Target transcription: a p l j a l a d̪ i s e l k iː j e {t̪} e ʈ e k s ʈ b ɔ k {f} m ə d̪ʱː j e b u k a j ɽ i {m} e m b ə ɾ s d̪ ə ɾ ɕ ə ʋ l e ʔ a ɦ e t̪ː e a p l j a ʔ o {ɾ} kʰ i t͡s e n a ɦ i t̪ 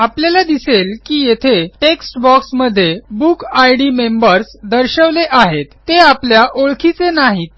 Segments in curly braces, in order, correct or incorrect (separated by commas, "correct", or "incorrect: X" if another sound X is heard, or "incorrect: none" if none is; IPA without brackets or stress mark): incorrect: t̪ʰ, incorrect: s, correct, incorrect: ɭ